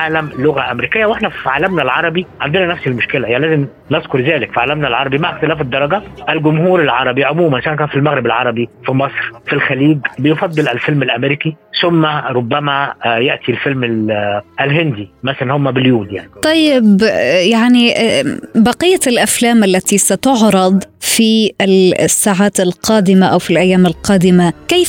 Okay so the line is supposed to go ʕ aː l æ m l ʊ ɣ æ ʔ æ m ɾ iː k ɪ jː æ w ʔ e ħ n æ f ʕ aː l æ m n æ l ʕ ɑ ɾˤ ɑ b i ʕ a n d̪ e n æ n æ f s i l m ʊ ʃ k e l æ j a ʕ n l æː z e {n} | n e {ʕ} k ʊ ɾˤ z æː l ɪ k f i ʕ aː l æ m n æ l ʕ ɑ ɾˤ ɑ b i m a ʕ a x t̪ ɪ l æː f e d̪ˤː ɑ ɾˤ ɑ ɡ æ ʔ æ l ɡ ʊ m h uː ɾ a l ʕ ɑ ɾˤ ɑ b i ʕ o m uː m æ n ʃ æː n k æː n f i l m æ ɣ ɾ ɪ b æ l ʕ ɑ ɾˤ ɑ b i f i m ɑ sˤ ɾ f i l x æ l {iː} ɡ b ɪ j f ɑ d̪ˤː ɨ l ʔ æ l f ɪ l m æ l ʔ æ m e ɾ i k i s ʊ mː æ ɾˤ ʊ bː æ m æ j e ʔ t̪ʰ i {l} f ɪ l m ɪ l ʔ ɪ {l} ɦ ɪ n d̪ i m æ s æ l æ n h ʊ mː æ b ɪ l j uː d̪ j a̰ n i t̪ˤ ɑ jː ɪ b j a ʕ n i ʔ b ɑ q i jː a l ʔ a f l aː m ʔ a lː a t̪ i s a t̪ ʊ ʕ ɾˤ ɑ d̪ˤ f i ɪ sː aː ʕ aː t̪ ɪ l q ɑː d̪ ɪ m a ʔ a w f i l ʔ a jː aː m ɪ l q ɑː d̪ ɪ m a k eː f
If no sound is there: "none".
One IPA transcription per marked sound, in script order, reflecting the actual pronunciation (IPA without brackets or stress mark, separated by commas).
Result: m, z, iː, l, l